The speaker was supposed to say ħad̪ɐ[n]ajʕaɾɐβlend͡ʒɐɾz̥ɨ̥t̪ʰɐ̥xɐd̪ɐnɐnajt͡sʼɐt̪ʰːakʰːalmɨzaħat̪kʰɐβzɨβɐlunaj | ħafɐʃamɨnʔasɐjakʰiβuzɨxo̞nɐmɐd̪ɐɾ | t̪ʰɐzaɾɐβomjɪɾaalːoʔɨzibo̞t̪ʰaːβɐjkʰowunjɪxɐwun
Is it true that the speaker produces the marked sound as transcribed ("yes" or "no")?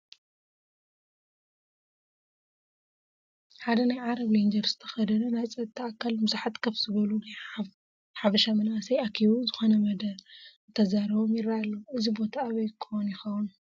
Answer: yes